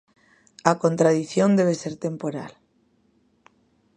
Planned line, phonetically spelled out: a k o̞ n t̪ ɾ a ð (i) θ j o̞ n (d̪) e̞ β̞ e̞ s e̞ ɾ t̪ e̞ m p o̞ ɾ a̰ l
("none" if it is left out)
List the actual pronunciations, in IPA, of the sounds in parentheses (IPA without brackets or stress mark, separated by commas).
i, d̪